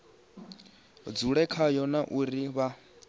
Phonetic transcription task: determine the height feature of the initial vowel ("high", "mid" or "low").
high